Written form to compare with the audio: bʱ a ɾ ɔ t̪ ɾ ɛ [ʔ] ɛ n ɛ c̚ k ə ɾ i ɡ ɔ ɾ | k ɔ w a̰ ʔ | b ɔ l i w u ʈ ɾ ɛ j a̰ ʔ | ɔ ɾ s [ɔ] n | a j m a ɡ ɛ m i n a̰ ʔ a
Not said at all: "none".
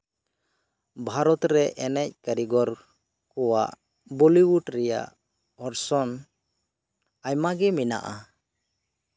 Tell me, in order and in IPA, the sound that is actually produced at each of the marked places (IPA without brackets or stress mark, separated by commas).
ʔ, ɔ